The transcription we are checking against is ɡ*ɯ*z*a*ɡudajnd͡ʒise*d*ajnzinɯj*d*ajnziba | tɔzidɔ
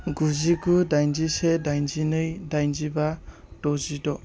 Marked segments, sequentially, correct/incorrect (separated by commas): incorrect, incorrect, correct, correct